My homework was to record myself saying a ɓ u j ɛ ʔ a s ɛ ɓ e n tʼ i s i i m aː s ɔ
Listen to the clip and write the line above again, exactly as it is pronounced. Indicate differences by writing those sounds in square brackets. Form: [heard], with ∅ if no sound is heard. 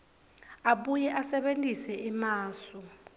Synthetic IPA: a ɓ u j ɛ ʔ a s ɛ ɓ e n tʼ i s [ɛ] i m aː s ɔ